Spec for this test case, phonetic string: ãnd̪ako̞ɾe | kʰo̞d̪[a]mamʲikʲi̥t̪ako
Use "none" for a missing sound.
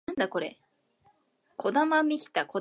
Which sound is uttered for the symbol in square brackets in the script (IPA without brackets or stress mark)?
a